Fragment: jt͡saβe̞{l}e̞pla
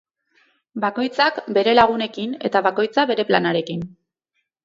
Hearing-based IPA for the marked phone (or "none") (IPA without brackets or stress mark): ɾ